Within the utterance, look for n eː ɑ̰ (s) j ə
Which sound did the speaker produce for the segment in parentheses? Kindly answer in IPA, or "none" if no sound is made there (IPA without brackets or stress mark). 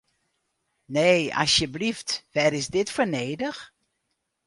s